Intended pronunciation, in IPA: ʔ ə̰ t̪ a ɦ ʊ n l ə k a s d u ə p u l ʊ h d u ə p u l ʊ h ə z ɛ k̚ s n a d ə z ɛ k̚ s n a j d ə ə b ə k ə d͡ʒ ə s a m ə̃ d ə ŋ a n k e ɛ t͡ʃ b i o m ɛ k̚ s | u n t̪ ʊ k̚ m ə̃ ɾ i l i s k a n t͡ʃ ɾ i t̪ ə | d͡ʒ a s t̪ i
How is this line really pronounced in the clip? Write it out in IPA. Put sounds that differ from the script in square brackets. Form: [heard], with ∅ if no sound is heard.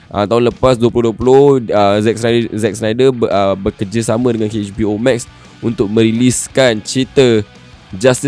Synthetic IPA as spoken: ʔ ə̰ t̪ a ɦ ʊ n l ə [p] a s d u ə p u l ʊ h d u ə p u l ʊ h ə z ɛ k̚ s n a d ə z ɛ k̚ s n a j d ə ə b ə k ə d͡ʒ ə s a m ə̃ d ə ŋ a n k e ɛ t͡ʃ b i o m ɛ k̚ s | u n t̪ ʊ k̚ m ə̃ ɾ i l i s k a n t͡ʃ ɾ i t̪ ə | d͡ʒ a s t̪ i